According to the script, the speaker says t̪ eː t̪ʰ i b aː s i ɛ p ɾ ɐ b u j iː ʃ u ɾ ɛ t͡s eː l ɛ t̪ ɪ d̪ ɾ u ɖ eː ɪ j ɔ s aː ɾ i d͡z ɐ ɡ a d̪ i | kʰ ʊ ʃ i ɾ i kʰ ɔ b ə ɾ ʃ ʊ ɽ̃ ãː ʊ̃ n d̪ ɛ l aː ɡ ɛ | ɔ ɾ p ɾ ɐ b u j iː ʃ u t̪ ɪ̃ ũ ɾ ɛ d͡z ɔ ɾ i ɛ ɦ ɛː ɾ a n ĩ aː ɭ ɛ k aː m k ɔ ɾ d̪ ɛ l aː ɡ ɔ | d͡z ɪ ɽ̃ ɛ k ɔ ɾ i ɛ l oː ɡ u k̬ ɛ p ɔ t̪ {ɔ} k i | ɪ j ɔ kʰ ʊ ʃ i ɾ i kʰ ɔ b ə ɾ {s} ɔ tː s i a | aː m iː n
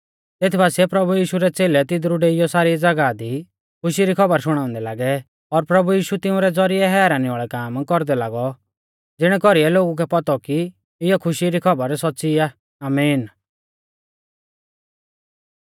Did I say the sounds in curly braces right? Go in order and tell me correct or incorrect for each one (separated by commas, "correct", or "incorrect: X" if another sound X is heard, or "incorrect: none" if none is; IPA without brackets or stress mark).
correct, correct